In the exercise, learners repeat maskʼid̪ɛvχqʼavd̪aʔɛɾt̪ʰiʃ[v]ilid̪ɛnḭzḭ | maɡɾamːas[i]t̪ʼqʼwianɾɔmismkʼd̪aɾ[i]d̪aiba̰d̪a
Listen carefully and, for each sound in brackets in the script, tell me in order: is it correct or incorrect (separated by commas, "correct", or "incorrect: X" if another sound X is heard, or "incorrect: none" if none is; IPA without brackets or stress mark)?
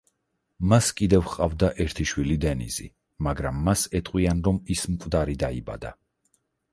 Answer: incorrect: w, incorrect: ɛ, correct